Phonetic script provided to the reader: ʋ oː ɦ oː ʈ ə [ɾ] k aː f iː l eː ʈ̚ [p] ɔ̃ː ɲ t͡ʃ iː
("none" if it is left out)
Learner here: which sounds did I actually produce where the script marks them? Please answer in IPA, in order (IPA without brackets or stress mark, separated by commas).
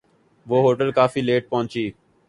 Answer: l, p